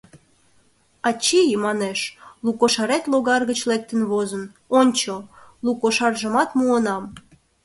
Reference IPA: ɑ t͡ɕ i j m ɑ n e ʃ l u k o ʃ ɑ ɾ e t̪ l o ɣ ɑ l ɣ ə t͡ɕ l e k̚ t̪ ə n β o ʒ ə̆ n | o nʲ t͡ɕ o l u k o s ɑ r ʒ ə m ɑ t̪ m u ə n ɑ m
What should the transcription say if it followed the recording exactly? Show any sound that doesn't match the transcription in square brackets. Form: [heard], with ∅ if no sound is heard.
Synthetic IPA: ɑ t͡ɕ i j m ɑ n e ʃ l u k o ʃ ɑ ɾ e t̪ l o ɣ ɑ [r] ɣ ə t͡ɕ l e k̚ t̪ ə n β o [z] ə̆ n | o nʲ t͡ɕ o l u k o [ʃ] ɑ r ʒ ə m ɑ t̪ m u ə n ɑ m